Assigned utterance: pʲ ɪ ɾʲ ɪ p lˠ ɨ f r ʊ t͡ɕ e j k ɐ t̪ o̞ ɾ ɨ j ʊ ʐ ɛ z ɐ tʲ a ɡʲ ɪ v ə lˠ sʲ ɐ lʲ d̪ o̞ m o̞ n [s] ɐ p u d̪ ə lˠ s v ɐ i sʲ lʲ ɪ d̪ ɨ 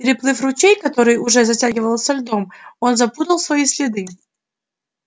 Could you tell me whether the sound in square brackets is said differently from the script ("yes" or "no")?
yes